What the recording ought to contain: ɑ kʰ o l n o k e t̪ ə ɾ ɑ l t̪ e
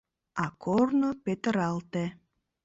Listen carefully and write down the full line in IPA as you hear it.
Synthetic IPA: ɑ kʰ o r n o p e t̪ ə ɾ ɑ l t̪ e